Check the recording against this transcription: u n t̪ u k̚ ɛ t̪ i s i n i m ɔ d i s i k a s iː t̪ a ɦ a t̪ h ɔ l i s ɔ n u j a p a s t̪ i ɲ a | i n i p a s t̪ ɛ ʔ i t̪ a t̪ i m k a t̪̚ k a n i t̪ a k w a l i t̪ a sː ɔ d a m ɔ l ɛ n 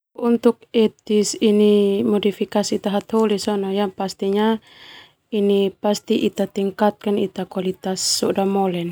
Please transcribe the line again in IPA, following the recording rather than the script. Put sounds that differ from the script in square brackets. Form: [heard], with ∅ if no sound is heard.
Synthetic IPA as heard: u n t̪ u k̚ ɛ t̪ i s i n i m ɔ d i [f] i k a s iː t̪ a ɦ a t̪ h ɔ l i s ɔ n [ɔ] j a p a s t̪ i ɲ a | i n i p a s t̪ [i] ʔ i t̪ a t̪ i [ŋ] k a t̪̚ k a n i t̪ a k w a l i t̪ a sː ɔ d a m ɔ l ɛ n

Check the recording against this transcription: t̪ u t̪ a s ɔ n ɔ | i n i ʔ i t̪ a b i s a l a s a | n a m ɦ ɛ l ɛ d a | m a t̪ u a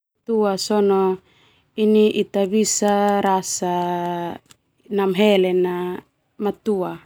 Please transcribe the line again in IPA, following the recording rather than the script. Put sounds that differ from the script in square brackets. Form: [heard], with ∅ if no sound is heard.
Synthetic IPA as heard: t̪ u [∅] a s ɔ n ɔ | i n i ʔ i t̪ a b i s a [ɾ] a s a | n a m ɦ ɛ l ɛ [n] a | m a t̪ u a

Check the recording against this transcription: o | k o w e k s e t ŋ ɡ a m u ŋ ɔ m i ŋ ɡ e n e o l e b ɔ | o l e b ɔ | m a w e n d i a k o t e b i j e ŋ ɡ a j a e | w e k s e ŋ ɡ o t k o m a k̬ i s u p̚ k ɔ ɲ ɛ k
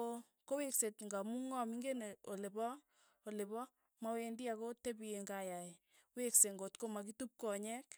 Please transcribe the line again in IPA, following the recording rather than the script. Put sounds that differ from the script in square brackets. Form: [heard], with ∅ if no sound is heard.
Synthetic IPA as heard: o | k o w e k s e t ŋ ɡ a m u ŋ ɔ m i ŋ ɡ e n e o l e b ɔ | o l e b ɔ | m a w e n d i a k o t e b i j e ŋ ɡ a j a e | w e k s e ŋ ɡ o t k o m a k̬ i [t] u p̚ k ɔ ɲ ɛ k

